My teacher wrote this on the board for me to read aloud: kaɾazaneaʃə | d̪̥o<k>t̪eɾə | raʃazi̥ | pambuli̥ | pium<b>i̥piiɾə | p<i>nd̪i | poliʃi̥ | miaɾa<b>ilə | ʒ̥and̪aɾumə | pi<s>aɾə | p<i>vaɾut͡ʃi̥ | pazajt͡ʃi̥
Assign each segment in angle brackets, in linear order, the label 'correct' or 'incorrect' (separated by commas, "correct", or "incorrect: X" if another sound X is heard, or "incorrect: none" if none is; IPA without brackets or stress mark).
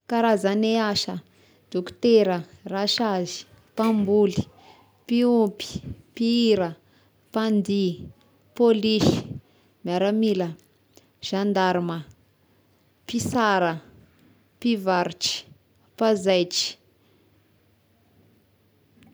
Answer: correct, incorrect: p, incorrect: a, incorrect: m, correct, correct